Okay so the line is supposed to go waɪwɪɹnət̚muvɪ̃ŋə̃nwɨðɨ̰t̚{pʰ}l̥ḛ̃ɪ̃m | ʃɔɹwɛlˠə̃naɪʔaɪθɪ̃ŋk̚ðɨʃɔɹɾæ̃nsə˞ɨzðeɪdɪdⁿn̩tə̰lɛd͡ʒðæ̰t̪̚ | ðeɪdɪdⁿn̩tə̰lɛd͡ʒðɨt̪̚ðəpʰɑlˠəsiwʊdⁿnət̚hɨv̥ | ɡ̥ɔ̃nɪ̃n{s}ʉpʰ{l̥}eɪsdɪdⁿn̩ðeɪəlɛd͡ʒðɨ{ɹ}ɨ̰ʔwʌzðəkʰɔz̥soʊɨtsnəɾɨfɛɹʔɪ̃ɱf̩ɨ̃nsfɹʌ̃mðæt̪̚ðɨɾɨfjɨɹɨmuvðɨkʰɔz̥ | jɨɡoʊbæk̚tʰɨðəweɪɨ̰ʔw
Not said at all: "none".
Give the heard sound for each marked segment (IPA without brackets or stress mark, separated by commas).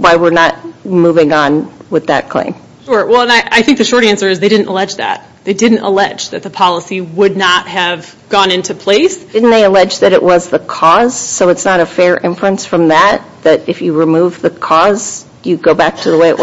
kʰ, t, l̥, ɾ